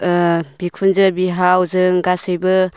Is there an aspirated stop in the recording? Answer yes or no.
yes